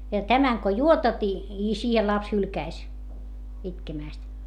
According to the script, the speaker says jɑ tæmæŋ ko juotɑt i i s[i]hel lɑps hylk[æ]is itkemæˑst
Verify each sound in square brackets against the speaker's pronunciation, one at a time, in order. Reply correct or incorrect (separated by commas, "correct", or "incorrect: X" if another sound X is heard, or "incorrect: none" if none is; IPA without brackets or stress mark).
incorrect: iː, correct